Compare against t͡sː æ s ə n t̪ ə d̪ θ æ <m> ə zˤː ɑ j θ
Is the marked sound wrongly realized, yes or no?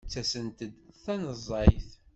yes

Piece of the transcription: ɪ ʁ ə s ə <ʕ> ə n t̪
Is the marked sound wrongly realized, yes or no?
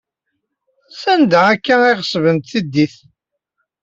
yes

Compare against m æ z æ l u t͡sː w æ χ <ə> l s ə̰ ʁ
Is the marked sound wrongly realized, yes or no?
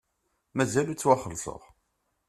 no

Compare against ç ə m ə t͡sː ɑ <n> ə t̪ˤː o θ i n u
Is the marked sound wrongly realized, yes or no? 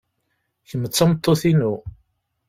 yes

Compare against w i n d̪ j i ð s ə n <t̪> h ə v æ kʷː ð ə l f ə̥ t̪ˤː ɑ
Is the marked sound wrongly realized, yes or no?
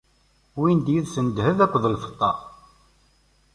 yes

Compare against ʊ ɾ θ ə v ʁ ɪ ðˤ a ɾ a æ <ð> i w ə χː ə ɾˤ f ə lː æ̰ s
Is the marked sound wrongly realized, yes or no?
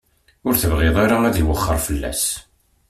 no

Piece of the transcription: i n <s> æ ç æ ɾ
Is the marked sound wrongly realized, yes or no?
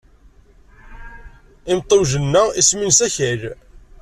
no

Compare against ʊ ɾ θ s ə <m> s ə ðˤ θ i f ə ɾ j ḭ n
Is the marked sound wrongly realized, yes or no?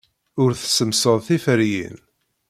no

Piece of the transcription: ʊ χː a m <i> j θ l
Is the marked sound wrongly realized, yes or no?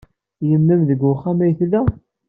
yes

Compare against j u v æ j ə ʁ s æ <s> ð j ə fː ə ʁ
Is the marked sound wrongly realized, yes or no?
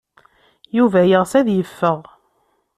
yes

